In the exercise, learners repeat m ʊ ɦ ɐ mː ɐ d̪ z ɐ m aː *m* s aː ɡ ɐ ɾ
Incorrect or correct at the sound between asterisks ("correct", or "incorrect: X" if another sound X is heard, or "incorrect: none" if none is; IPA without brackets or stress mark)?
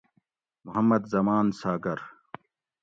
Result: incorrect: n